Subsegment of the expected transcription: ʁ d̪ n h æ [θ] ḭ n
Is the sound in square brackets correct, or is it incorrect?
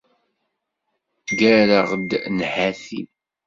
correct